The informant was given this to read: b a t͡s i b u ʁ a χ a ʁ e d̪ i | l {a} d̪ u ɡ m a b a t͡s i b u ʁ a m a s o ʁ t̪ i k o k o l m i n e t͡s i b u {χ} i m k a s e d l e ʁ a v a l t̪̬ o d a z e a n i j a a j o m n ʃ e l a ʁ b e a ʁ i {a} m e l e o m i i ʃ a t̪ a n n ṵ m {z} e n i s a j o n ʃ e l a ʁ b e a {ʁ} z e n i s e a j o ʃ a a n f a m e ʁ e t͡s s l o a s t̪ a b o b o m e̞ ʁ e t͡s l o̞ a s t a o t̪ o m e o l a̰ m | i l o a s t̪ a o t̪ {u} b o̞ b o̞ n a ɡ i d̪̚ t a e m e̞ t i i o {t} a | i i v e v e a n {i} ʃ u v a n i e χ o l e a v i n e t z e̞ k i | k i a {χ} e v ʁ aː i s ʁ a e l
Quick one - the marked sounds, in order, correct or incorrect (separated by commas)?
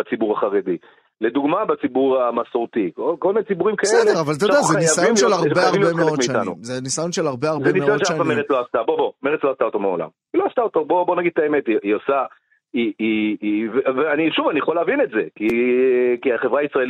incorrect, incorrect, incorrect, correct, correct, incorrect, incorrect, correct, correct